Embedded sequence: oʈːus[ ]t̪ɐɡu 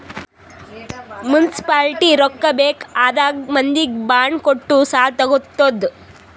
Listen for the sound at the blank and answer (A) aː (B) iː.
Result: A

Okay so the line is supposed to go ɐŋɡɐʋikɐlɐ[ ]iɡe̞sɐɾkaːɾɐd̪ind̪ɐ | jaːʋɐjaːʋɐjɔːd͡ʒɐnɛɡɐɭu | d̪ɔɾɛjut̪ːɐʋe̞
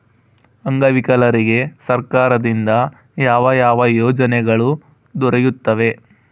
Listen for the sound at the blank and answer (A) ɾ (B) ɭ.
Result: A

